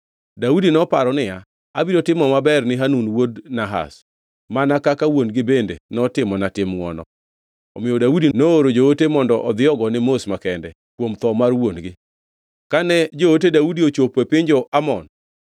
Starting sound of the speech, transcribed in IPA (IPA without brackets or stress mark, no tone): d